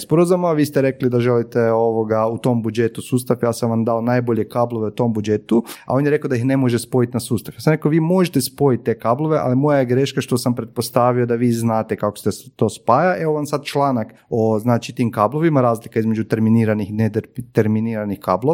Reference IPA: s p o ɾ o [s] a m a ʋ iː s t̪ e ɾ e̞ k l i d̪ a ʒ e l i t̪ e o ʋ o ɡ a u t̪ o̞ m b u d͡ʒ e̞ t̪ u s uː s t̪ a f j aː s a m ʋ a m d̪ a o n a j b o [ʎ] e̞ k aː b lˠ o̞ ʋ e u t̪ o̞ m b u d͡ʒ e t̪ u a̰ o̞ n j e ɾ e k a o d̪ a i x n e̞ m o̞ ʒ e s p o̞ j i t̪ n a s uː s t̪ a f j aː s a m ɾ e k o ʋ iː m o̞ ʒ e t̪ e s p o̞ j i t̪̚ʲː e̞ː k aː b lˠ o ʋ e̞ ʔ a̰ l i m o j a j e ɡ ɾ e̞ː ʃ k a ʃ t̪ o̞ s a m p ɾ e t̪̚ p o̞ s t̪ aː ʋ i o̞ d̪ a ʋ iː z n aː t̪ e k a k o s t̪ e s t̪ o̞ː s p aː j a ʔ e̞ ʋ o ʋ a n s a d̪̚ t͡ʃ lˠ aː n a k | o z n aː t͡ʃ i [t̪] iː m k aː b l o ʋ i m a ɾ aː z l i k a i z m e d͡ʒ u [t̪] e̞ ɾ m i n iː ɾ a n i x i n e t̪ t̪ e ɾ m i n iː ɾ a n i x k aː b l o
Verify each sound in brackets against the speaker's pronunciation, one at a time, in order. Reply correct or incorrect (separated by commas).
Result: incorrect, correct, correct, correct